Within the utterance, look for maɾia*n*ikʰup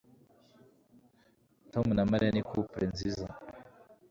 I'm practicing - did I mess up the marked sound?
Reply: no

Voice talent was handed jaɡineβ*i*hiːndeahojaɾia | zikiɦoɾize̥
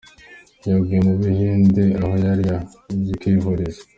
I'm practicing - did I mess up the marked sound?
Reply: no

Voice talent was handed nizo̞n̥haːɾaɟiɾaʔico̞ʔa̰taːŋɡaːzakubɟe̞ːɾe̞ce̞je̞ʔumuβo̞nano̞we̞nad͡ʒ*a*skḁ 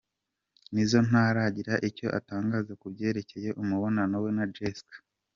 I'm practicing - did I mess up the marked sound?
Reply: yes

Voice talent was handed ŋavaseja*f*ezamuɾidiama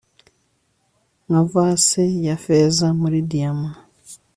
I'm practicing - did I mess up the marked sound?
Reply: no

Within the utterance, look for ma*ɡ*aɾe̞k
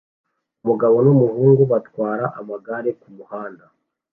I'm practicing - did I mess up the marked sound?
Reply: no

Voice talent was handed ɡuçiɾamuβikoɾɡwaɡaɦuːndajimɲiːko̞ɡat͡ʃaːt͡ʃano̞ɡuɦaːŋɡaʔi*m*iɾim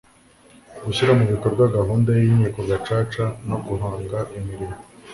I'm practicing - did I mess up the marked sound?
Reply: no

